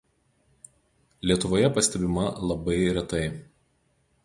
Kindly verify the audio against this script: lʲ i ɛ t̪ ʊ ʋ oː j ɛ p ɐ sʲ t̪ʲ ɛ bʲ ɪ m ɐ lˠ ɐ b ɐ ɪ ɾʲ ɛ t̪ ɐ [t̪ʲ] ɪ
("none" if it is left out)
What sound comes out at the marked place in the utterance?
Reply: none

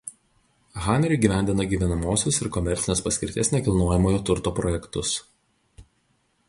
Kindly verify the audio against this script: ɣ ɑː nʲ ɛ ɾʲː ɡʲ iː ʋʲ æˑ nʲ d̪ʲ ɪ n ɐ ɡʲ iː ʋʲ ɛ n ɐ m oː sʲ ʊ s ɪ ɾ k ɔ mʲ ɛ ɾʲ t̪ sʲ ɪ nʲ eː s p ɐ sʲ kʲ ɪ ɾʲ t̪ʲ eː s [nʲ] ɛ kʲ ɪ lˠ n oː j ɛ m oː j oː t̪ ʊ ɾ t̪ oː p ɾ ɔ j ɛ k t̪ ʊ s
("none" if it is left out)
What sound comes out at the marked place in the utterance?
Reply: nʲ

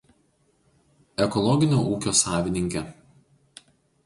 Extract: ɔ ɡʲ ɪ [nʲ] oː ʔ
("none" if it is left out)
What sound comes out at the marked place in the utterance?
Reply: nʲ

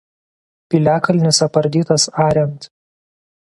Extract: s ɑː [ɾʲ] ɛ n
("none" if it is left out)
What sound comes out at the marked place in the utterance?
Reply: ɾʲ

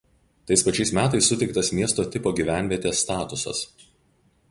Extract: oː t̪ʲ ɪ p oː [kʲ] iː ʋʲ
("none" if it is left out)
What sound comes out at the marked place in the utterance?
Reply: ɡʲ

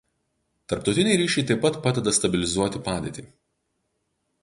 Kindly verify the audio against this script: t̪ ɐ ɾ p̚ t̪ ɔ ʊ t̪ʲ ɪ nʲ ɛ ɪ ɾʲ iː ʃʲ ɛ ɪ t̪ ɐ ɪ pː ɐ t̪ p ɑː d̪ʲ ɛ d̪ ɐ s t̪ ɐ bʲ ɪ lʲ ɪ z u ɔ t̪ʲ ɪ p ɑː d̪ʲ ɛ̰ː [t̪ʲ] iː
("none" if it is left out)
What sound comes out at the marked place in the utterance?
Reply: t̪ʲ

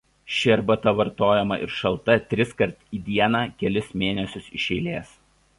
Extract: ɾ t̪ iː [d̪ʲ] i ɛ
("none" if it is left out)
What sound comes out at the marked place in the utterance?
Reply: d̪ʲ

